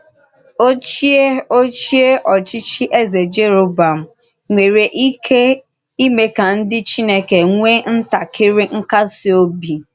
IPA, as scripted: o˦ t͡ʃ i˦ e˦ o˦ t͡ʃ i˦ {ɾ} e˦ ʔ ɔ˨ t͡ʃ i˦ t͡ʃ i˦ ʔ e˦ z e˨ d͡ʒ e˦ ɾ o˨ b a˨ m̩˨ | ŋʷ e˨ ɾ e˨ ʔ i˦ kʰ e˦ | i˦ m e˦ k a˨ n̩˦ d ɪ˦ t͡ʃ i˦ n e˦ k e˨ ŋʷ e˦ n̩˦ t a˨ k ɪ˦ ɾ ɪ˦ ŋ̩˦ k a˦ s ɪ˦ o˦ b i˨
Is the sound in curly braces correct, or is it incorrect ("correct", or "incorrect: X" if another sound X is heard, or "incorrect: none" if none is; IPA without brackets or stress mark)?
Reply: incorrect: none